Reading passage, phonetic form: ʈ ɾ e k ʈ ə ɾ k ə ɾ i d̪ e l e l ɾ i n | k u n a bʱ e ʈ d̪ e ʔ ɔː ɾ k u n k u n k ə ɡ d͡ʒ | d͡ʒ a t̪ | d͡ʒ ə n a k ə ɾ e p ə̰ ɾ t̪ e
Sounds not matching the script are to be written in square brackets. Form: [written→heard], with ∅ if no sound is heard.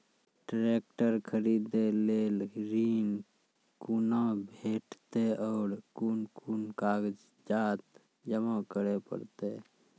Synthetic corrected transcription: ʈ ɾ e k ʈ ə ɾ [k→kʰ] ə ɾ i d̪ e l e l ɾ i n | k u n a bʱ e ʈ [d̪→t̪] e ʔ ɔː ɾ k u n k u n k [ə→a] ɡ d͡ʒ | d͡ʒ a t̪ | d͡ʒ ə [n→m] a k ə ɾ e p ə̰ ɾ t̪ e